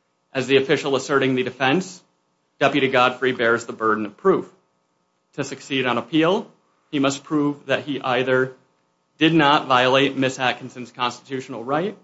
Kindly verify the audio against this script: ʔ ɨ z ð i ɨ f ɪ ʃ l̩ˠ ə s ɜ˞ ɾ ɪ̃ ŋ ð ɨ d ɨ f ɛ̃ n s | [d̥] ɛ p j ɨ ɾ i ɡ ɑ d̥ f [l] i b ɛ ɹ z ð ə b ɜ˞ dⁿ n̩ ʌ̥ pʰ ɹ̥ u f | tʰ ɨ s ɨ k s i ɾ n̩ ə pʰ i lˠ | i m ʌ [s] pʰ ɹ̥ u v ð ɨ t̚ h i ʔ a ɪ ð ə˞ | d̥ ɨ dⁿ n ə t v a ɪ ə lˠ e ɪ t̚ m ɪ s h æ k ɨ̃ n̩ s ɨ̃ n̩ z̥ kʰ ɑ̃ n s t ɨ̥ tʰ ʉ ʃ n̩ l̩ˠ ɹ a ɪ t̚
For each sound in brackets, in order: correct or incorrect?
correct, incorrect, correct

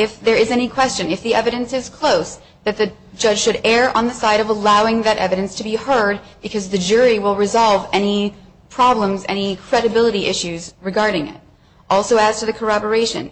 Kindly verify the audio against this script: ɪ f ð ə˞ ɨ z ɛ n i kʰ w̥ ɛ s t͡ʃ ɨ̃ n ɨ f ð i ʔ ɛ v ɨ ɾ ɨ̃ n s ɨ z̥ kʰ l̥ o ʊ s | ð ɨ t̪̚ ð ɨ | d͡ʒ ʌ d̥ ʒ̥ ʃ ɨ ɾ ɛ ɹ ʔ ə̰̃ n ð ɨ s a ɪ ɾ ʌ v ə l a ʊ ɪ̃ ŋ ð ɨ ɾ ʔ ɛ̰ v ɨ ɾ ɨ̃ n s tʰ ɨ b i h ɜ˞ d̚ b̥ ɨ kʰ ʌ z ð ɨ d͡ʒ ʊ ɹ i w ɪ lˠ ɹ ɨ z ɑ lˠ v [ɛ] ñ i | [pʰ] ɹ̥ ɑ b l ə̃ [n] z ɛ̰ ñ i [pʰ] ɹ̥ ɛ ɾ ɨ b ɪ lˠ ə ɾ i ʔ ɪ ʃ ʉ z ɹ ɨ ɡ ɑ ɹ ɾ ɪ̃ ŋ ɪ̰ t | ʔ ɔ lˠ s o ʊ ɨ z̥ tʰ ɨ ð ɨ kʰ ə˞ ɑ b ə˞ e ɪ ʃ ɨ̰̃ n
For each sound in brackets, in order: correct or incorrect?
correct, correct, incorrect, incorrect

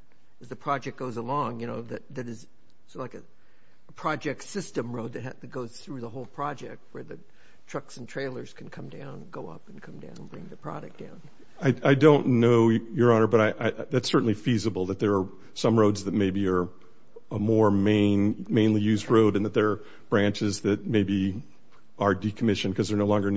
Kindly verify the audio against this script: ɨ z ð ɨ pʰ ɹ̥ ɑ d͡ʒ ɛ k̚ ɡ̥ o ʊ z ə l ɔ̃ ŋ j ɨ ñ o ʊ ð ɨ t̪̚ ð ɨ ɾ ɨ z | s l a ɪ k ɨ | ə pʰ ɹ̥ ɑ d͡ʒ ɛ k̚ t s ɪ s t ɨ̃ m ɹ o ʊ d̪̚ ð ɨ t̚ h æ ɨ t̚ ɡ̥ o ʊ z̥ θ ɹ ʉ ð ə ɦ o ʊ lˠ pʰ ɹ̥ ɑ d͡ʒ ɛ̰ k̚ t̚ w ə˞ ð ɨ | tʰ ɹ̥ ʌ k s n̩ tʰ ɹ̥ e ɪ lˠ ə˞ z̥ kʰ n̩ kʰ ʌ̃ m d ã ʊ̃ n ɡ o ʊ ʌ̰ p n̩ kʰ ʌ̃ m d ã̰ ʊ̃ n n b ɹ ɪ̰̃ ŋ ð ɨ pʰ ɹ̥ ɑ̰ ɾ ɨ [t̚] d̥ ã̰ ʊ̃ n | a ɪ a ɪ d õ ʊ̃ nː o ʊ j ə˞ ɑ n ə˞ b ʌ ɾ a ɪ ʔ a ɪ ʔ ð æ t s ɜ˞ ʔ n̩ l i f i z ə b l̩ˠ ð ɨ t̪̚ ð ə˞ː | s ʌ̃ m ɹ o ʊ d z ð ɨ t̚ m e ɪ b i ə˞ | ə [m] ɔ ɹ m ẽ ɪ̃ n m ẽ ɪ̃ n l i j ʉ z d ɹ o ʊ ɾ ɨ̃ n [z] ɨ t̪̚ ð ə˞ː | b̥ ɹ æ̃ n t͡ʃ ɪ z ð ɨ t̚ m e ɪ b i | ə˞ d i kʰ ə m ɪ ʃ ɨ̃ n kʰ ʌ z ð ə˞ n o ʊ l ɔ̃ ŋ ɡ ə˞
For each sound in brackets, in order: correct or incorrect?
incorrect, correct, incorrect

